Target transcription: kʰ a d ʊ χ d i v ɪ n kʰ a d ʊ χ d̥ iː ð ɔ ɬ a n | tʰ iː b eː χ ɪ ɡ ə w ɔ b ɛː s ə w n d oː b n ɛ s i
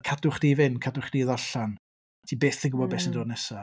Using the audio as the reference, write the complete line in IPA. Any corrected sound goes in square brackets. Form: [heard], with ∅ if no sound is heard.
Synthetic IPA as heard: kʰ a d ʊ χ d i v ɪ n kʰ a d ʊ χ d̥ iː ð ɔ ɬ a n | tʰ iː b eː [θ] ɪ ɡ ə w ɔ b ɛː s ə [∅] n d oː [d] n ɛ s [a]